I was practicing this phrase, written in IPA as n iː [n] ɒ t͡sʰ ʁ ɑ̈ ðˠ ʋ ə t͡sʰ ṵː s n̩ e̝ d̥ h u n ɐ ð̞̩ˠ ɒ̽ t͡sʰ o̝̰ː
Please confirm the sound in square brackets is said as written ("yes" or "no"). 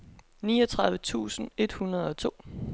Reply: no